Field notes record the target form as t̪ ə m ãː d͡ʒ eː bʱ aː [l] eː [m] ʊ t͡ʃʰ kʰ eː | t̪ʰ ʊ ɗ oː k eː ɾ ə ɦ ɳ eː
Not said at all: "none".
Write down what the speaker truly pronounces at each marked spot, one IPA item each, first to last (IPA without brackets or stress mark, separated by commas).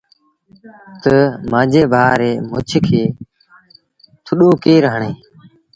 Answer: ɾ, m